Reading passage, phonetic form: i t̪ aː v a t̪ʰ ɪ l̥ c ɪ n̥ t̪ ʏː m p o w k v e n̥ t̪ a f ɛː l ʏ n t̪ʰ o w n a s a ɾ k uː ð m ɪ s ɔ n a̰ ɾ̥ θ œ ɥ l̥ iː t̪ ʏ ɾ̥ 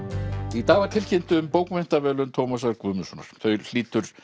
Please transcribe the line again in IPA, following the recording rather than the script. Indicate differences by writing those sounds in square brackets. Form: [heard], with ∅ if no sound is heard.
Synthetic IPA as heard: i t̪ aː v a t̪ʰ ɪ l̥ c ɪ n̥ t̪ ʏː m p o w k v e n̥ t̪ a [v] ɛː l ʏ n t̪ʰ o w [m] a s a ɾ k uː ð m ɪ s ɔ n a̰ ɾ̥ θ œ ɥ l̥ iː t̪ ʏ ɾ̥